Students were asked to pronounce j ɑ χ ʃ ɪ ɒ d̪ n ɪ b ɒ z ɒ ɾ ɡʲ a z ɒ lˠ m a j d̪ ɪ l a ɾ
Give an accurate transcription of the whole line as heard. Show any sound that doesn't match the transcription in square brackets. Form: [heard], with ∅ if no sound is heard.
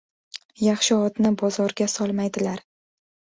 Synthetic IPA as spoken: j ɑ χ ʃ ɪ ɒ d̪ n ɪ b ɒ z ɒ ɾ ɡʲ a [s] ɒ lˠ m a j d̪ ɪ l a ɾ